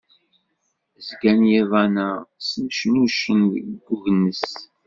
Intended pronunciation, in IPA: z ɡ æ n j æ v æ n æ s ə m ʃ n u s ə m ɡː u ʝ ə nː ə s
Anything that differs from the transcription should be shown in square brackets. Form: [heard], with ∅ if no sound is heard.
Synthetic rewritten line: z ɡ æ n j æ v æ n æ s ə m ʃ n u [ʃ] ə [n] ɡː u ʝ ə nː ə s